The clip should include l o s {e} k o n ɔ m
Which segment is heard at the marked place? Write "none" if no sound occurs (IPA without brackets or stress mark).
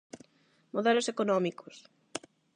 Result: e